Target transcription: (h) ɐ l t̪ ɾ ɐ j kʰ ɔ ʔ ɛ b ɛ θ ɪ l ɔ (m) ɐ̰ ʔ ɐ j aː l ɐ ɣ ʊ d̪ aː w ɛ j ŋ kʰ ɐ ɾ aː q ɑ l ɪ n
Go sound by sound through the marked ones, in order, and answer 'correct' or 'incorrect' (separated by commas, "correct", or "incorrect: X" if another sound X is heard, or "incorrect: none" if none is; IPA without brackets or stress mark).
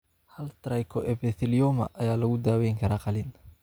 correct, correct